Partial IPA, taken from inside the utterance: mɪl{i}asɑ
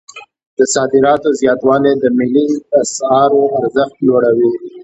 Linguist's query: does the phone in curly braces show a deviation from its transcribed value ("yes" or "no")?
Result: no